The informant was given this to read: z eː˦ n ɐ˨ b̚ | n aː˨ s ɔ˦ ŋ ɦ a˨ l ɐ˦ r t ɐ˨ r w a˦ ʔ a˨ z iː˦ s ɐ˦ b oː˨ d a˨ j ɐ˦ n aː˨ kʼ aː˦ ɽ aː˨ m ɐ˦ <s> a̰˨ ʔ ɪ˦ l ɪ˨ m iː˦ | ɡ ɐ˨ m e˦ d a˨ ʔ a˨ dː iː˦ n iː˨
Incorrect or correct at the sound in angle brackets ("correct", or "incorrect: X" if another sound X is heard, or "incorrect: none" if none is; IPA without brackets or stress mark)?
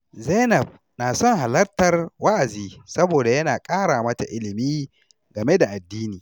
incorrect: t